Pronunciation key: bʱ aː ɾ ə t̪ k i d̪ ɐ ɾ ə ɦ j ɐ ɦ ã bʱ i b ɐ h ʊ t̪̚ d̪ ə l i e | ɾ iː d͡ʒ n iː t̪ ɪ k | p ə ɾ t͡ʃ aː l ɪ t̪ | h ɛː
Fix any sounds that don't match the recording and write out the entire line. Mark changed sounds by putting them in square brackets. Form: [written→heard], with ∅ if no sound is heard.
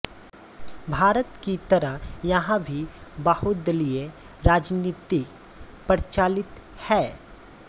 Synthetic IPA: bʱ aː ɾ ə t̪ k i [d̪→t̪] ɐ ɾ ə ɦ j ɐ ɦ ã bʱ i b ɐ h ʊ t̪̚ d̪ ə l i e | ɾ [iː→aː] d͡ʒ n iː t̪ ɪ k | p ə ɾ t͡ʃ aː l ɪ t̪ | h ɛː

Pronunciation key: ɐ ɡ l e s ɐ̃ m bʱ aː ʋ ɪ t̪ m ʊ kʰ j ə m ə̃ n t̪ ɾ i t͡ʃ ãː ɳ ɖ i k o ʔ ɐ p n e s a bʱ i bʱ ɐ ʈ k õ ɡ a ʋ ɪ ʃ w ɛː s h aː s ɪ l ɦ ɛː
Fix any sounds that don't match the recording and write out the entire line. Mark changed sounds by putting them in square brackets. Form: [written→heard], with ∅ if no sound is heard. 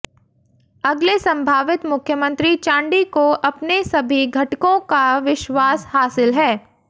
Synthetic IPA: ɐ ɡ l e s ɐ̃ m bʱ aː ʋ ɪ t̪ m ʊ kʰ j ə m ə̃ n t̪ ɾ i t͡ʃ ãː ɳ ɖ i k o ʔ ɐ p n e s [a→ɐ] bʱ i [bʱ→ɡʱ] ɐ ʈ k õ [ɡ→k] a ʋ ɪ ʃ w [ɛː→aː] s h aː s ɪ l ɦ ɛː

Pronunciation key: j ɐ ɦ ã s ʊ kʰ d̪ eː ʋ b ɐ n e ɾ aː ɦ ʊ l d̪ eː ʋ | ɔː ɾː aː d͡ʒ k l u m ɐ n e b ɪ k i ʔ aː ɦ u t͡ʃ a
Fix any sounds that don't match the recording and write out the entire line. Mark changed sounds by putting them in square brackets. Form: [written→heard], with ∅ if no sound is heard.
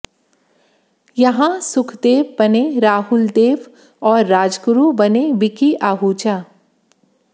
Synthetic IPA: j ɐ ɦ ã s ʊ kʰ d̪ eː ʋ b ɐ n e ɾ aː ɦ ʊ l d̪ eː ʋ | ɔː ɾː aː d͡ʒ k [l→ɾ] u [m→b] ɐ n e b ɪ k i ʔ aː ɦ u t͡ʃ a

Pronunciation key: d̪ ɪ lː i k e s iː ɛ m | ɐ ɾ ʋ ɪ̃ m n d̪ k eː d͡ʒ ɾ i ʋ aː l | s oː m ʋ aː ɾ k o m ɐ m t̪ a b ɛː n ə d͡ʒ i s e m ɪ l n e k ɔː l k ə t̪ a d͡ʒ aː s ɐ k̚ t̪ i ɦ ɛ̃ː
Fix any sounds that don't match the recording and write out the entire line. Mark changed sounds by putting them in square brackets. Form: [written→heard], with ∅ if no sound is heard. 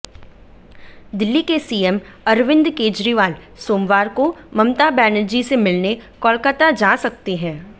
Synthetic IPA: d̪ ɪ lː i k e s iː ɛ m | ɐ ɾ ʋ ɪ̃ [m→∅] n d̪ k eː d͡ʒ ɾ i ʋ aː l | s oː m ʋ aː ɾ k o m ɐ m t̪ a b ɛː n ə d͡ʒ i s e m ɪ l n e k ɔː l k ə t̪ a d͡ʒ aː s ɐ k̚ t̪ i ɦ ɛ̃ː

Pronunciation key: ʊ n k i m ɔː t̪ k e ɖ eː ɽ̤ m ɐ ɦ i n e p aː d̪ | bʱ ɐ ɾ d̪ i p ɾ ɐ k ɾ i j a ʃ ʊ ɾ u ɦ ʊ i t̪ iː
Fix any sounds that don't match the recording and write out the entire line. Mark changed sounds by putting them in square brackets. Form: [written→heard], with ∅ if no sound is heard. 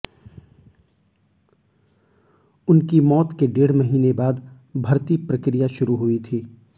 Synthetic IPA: ʊ n k i m ɔː t̪ k e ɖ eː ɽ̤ m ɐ ɦ [i→iː] n e [p→b] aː d̪ | bʱ ɐ ɾ [d̪→t̪] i p ɾ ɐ k ɾ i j a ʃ ʊ ɾ u ɦ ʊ i [t̪→t̪ʰ] iː

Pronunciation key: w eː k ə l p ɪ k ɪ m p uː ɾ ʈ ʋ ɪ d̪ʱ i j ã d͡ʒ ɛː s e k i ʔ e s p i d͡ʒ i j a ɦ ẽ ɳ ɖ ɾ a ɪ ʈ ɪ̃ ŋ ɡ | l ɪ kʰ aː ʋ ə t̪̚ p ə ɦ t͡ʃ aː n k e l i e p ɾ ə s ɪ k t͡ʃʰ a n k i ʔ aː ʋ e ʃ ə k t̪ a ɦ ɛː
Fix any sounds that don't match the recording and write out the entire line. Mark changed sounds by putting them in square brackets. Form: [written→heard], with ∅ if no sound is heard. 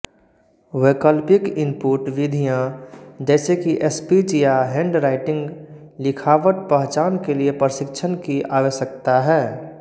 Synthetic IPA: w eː k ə l p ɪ k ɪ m p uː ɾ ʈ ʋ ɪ d̪ʱ i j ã d͡ʒ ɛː s e k i ʔ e s p i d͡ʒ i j a ɦ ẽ ɳ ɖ ɾ a ɪ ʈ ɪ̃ ŋ ɡ | l ɪ kʰ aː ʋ ə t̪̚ p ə ɦ t͡ʃ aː n k e l i e p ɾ ə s ɪ k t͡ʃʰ [a→ə] n k i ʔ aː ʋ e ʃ ə k t̪ a ɦ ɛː

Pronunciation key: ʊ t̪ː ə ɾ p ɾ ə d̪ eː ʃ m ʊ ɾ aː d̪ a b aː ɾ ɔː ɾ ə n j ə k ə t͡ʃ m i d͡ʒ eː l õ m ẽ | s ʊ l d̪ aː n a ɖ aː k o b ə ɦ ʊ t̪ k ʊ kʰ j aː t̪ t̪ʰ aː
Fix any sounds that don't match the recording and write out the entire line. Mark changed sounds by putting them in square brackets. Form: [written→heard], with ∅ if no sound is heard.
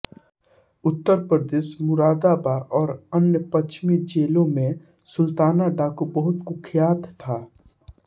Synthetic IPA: ʊ t̪ː ə ɾ p ɾ ə d̪ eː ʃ m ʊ ɾ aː d̪ a b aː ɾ ɔː ɾ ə n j ə [k→p] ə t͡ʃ m i d͡ʒ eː l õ m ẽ | s ʊ l [d̪→t̪] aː n a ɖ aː k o b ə ɦ ʊ t̪ k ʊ kʰ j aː t̪ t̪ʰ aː

